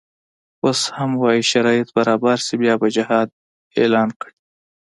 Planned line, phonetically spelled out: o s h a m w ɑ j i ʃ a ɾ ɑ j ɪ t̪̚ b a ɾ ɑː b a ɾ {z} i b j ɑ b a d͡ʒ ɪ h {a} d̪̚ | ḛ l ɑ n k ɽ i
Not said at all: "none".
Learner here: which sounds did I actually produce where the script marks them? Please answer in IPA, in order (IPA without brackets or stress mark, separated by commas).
s, ɑ